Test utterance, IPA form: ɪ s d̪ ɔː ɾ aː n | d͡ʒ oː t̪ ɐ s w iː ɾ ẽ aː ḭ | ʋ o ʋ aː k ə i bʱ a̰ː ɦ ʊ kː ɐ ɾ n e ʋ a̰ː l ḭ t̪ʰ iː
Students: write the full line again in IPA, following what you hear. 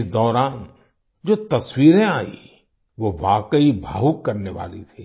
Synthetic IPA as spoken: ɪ s d̪ ɔː ɾ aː n | d͡ʒ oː t̪ ɐ s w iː ɾ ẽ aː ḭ | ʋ o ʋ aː k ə i bʱ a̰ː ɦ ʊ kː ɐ ɾ n e ʋ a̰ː l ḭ t̪ʰ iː